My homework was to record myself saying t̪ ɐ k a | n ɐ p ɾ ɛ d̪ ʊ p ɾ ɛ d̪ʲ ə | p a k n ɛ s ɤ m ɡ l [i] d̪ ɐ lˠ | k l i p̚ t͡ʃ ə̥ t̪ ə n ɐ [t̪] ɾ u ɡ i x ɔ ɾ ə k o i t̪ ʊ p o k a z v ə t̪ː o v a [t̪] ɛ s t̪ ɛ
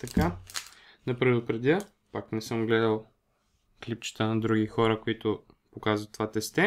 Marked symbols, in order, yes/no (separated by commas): no, no, yes